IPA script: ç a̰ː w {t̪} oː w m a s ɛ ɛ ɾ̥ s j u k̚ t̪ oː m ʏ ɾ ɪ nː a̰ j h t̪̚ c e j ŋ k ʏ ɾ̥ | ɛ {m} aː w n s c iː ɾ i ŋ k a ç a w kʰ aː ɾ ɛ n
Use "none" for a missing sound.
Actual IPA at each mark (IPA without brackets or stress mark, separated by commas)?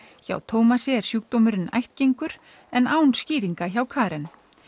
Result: t̪ʰ, n